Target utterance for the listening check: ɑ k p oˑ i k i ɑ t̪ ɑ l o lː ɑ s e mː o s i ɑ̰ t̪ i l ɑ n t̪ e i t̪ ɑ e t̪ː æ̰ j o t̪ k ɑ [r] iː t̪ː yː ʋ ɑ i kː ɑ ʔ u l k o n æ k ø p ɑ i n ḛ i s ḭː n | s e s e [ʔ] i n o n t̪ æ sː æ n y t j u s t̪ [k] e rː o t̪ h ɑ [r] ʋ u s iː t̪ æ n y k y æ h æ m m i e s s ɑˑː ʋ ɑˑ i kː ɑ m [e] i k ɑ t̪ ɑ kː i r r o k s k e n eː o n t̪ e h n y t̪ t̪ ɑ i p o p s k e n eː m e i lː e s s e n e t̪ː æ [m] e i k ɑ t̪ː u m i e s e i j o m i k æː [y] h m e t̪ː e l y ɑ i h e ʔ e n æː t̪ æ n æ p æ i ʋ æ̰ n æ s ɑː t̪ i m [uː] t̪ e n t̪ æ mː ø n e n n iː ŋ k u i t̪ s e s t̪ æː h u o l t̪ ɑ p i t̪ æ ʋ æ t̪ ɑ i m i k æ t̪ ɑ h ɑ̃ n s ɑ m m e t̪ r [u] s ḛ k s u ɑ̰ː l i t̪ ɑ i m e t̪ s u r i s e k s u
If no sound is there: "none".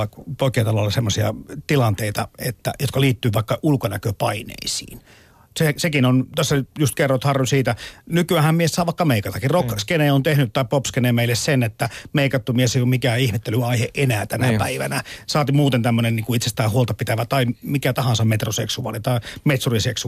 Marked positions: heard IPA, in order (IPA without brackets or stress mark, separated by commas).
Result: l, k, k, r, e, m, i, uː, o